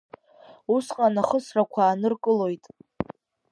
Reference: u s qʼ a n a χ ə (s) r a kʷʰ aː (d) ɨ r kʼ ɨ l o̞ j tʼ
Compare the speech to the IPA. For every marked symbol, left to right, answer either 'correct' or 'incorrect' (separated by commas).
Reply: correct, incorrect